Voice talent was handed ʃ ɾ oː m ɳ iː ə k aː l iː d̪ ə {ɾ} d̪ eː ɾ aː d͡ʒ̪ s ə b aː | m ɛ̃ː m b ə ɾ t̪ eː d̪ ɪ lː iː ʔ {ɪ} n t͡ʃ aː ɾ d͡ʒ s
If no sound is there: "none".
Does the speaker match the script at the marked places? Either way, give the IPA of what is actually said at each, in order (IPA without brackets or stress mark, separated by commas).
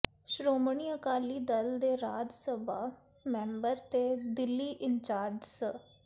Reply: l, ɪ